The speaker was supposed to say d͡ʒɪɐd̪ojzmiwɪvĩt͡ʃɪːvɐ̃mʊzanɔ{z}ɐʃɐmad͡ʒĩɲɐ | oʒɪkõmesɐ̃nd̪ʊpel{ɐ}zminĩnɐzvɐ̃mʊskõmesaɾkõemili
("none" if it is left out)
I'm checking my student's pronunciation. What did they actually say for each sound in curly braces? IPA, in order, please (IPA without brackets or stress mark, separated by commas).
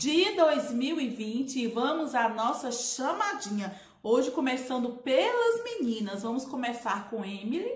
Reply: s, ɐ